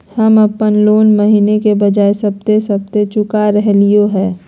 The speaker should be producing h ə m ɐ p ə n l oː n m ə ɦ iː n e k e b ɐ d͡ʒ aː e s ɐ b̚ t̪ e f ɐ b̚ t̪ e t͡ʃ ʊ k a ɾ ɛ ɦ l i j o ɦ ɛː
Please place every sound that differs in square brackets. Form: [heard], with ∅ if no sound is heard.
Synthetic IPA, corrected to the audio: h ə m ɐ p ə n l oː n m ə ɦ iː n e k e b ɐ d͡ʒ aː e s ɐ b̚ t̪ e [s] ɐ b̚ t̪ e t͡ʃ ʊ k a ɾ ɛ ɦ l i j o ɦ ɛː